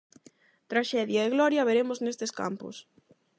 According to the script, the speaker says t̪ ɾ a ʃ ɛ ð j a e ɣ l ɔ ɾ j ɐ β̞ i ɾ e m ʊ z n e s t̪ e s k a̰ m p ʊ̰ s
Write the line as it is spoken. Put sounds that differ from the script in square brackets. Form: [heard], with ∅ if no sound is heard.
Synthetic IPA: t̪ ɾ a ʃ ɛ ð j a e ɣ l ɔ ɾ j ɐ β̞ [e] ɾ e m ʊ z n e s t̪ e s k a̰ m p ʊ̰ s

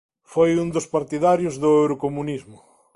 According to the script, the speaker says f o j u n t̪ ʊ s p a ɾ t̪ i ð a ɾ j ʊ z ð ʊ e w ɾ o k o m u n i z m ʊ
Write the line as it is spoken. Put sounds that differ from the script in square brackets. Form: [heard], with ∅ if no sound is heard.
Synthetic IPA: f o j u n [d̪] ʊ s p a ɾ t̪ i ð a ɾ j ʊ z ð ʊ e w ɾ o k o m u n i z m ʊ

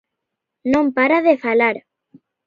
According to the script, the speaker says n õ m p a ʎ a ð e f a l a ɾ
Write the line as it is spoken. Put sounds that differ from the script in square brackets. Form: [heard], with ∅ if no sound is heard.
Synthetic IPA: n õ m p a [ɾ] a ð e f a l a ɾ

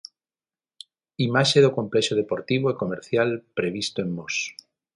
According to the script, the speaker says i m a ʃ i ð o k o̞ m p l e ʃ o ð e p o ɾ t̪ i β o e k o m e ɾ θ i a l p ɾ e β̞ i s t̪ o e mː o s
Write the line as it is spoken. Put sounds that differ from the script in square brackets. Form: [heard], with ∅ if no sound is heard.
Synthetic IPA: i m a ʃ [e] ð o k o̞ m p l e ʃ o ð e p o ɾ t̪ i β o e k o m e ɾ θ [j] a l p ɾ e β̞ i s t̪ o e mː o s

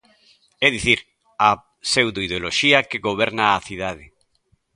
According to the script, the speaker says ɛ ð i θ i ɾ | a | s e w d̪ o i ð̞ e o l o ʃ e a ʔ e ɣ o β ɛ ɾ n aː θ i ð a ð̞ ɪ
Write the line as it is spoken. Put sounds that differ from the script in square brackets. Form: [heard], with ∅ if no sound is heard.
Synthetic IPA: ɛ ð i θ i ɾ | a | s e w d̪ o i ð̞ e o l o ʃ [i] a [k] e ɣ o β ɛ ɾ n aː θ i ð a ð̞ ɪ

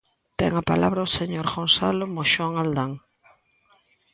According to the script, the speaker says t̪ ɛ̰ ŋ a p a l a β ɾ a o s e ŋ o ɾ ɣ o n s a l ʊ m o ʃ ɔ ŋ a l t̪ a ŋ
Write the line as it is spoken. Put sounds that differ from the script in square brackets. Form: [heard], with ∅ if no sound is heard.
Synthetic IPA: t̪ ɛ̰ ŋ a p a l a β ɾ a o s e [ɲ] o ɾ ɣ o n s a l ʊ m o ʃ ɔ ŋ a l [d̪] a ŋ

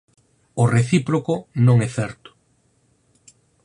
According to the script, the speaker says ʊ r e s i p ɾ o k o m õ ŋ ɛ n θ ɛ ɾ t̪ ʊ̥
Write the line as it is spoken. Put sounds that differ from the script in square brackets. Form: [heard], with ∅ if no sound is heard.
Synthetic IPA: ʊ r e [θ] i p ɾ o k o [n] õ ŋ ɛ [∅] θ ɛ ɾ t̪ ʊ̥

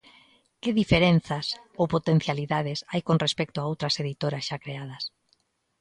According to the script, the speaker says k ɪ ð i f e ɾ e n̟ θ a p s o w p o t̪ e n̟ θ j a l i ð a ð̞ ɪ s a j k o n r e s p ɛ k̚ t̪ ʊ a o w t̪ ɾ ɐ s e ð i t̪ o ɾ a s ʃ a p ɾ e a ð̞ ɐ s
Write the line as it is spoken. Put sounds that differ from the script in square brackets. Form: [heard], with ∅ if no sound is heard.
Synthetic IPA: k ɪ ð i f e ɾ e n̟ θ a [∅] s o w p o t̪ e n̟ θ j a l i ð a ð̞ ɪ s a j k o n r e s p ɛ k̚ t̪ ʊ a o w t̪ ɾ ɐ s e ð i t̪ o ɾ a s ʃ a [k] ɾ e a ð̞ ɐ s

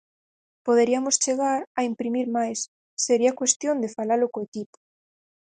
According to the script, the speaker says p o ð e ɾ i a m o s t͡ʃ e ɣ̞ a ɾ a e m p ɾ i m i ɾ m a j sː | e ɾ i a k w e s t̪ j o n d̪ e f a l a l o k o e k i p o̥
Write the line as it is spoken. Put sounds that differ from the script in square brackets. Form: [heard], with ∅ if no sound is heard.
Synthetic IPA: p o ð e ɾ i a m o s t͡ʃ e ɣ̞ a ɾ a [i] m p ɾ i m i ɾ m a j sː | e ɾ i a k w e s t̪ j o n d̪ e f a l a l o k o e k i p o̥

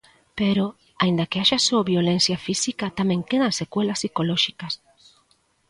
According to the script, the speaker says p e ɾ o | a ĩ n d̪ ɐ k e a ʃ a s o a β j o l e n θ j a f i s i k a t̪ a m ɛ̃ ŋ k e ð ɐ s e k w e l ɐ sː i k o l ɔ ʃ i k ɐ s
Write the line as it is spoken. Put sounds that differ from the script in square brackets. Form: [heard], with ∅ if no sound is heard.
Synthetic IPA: p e ɾ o | a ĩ n d̪ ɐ k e a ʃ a s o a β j o l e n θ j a f i s i k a t̪ a m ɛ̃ ŋ k e ð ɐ s e k w e l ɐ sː i k o l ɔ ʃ i k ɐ s

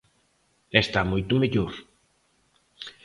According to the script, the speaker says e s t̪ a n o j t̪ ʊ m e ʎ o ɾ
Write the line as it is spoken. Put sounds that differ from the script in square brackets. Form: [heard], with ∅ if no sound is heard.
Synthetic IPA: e s t̪ a [m] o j t̪ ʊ m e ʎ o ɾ

